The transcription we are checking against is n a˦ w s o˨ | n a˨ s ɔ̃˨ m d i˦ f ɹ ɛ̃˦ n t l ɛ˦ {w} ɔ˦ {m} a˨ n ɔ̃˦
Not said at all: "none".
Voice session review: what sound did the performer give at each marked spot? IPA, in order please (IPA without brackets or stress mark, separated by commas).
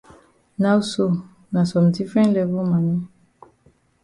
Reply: v, m